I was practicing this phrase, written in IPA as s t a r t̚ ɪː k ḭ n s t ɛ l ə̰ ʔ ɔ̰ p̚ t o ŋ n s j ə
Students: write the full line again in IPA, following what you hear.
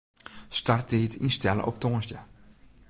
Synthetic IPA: s t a r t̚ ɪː t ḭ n s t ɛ l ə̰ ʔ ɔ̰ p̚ t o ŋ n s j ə